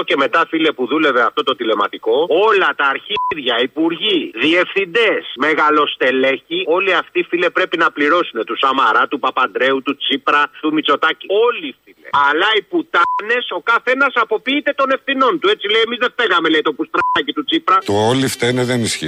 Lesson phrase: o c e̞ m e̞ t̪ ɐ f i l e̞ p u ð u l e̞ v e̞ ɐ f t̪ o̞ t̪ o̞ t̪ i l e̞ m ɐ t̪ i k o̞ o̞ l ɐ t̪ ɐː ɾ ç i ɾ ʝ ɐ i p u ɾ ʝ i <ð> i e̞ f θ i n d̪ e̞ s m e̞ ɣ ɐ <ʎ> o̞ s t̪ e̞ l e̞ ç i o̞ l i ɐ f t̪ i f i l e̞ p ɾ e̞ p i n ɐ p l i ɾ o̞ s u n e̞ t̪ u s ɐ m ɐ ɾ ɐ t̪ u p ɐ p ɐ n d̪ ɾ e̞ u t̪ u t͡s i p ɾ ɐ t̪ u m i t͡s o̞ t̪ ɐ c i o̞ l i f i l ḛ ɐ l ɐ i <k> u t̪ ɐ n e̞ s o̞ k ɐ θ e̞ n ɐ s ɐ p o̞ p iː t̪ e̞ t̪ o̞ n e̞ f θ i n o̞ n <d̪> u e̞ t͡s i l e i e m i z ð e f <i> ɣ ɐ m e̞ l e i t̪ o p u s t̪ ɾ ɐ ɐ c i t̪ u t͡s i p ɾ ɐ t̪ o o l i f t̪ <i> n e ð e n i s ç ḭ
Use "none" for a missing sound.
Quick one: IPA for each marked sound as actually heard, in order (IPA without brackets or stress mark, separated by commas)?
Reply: ð, l, p, t̪, e, e